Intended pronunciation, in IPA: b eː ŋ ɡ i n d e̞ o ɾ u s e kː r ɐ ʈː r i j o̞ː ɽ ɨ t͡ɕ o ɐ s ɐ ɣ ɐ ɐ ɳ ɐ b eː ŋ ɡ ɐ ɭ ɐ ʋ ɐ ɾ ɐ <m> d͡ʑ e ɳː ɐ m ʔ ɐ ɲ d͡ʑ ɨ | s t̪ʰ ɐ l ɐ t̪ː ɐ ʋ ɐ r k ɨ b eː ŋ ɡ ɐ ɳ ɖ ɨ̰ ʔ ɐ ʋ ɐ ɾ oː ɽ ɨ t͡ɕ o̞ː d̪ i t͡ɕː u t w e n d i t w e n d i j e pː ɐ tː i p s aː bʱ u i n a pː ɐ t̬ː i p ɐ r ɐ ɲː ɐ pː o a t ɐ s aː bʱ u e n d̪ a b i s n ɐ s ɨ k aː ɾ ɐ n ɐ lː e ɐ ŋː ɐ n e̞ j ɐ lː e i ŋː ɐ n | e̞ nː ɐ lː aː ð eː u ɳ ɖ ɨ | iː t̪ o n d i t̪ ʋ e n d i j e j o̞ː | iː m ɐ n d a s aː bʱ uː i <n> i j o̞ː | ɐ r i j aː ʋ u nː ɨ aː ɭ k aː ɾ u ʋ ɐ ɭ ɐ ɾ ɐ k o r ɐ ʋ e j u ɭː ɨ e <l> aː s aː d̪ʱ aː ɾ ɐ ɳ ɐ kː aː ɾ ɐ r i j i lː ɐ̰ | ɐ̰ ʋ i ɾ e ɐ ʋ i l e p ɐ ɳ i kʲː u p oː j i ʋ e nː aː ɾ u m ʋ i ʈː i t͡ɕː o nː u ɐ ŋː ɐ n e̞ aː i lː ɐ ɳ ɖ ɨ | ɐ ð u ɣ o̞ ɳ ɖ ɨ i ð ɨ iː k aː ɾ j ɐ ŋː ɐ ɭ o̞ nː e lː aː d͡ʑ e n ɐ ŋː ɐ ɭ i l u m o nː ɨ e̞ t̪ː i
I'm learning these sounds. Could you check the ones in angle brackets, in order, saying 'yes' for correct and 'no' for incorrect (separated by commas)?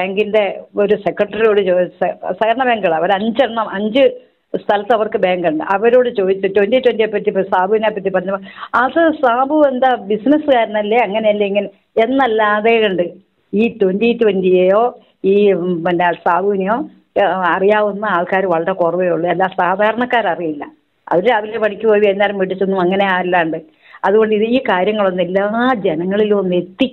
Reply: no, yes, no